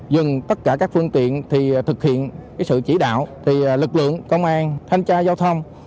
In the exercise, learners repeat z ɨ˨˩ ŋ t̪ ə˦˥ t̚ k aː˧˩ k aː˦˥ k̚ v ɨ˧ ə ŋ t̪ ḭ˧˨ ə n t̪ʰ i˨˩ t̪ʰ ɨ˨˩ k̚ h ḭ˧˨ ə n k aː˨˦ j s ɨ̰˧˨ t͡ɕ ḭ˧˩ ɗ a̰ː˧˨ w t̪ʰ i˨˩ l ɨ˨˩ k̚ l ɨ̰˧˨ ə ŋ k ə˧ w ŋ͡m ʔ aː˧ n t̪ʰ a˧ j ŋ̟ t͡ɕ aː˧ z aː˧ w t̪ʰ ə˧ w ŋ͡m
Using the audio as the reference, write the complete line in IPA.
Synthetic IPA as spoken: z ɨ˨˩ ŋ t̪ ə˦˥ t̚ k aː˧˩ k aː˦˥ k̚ f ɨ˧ ə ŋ t̪ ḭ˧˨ ə n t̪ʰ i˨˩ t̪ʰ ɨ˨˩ k̚ h ḭ˧˨ ə n k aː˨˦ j s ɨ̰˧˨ t͡ɕ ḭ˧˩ ɗ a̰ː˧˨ w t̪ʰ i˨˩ l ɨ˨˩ k̚ l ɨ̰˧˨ ə ŋ k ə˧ w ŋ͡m ʔ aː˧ n t̪ʰ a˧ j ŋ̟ t͡ɕ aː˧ z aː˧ w t̪ʰ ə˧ w ŋ͡m